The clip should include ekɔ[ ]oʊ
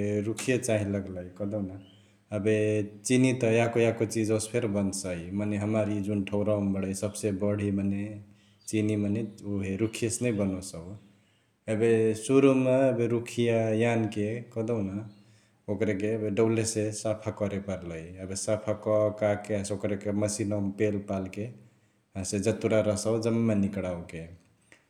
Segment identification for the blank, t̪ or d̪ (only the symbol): d̪